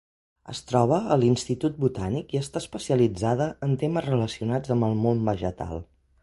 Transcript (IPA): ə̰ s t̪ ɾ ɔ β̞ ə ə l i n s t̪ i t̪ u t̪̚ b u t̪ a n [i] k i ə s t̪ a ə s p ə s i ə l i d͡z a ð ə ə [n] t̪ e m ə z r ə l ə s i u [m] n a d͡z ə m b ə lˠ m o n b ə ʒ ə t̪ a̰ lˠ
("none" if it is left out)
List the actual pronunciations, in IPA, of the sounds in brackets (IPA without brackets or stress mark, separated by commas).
i, n, none